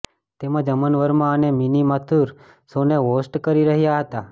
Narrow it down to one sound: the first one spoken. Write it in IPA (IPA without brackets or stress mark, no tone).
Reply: t̪